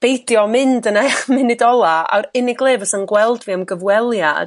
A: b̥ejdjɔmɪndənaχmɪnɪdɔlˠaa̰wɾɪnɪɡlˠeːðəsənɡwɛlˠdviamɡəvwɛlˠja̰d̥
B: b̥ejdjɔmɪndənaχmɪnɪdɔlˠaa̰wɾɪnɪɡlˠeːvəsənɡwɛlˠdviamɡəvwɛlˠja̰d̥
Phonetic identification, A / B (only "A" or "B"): B